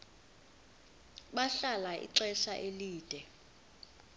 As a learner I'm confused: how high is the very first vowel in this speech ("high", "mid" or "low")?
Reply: low